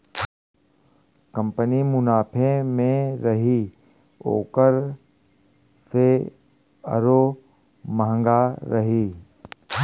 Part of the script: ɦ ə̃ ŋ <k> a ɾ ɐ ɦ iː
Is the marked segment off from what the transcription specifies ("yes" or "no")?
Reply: yes